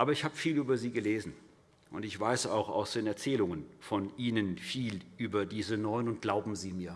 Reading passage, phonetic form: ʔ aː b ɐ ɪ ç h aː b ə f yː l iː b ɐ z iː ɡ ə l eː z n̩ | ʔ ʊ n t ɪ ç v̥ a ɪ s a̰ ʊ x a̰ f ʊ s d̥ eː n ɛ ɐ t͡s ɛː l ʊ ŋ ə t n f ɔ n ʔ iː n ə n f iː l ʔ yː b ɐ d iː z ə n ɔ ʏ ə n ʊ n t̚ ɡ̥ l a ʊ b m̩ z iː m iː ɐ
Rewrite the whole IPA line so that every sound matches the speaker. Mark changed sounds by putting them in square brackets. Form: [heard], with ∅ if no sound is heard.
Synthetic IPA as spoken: ʔ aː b ɐ ɪ ç h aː b ə f [iː] l [yː] b ɐ z iː ɡ ə l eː z n̩ | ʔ ʊ n t ɪ ç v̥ a ɪ s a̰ ʊ x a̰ [∅] ʊ s d̥ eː n ɛ ɐ t͡s ɛː l ʊ ŋ ə [∅] n f ɔ n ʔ iː n ə n f iː l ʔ yː b ɐ d iː z ə n ɔ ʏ ə n ʊ n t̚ ɡ̥ l a ʊ b m̩ z iː m iː ɐ